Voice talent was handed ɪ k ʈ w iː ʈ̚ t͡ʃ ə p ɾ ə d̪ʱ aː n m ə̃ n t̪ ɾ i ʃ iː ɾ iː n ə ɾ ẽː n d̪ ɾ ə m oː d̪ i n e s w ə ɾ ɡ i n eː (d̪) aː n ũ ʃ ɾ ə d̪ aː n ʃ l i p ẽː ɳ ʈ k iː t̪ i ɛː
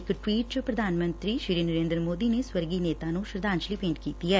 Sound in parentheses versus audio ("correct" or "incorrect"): incorrect